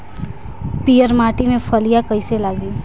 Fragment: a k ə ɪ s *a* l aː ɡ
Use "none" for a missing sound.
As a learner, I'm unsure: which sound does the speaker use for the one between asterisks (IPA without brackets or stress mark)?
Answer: e